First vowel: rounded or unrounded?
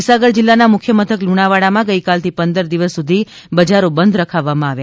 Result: unrounded